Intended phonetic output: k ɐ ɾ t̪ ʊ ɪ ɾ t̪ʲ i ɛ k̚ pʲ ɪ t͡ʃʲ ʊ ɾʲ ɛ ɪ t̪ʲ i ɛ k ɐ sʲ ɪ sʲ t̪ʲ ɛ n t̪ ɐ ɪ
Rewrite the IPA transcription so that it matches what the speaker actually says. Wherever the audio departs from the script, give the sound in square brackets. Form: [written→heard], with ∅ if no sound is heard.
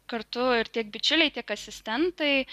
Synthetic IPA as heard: k ɐ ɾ t̪ ʊ ɪ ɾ t̪ʲ i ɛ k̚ [pʲ→bʲ] ɪ t͡ʃʲ ʊ [ɾʲ→lʲ] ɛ ɪ t̪ʲ i ɛ k ɐ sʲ ɪ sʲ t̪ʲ ɛ n t̪ ɐ ɪ